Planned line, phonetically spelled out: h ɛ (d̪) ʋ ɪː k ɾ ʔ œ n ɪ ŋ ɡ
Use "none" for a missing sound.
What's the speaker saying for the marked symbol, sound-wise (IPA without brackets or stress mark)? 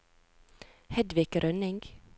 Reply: d̪